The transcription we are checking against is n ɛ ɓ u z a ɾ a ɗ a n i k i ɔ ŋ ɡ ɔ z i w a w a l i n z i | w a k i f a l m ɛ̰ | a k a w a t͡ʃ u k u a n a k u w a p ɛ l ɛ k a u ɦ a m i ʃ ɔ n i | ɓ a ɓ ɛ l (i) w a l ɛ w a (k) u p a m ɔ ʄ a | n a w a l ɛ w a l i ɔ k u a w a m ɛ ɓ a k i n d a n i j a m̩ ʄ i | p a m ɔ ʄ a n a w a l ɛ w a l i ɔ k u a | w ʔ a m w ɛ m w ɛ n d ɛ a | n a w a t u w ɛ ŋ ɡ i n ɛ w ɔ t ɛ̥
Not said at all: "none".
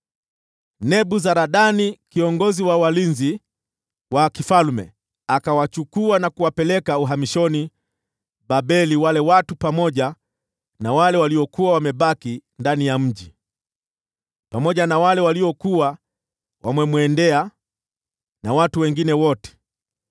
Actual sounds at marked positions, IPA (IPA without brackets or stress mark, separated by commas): i, t